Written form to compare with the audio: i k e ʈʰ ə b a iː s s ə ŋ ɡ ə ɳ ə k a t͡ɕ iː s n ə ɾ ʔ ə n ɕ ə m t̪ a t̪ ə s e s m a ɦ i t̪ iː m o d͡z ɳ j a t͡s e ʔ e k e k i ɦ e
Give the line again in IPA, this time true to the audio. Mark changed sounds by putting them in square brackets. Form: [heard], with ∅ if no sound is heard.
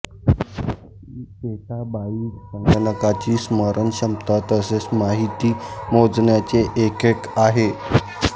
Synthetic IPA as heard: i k e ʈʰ [a] b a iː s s ə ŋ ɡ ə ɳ ə k a t͡ɕ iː s [m] ə ɾ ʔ ə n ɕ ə m t̪ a t̪ ə s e s m a ɦ i t̪ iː m o d͡z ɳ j a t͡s e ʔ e k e k [a] ɦ e